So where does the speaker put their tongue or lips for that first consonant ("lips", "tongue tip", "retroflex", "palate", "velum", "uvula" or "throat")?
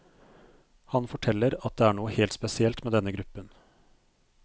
throat